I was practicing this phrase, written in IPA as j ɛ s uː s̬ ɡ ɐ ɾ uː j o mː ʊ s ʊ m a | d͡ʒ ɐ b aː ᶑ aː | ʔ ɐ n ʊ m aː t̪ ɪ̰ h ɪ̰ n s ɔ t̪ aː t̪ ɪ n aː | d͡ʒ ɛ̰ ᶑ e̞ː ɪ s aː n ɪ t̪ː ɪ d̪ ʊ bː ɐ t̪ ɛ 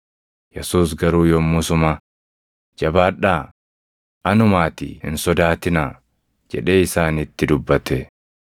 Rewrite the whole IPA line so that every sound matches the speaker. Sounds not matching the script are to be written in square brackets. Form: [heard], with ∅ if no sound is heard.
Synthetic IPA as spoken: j ɛ s uː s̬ ɡ ɐ ɾ uː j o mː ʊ s ʊ m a | d͡ʒ ɐ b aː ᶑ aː | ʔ ɐ n ʊ m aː t̪ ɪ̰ h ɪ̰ n s ɔ [d̪] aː t̪ ɪ n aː | d͡ʒ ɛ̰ ᶑ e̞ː ɪ s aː n ɪ t̪ː ɪ d̪ ʊ bː ɐ t̪ ɛ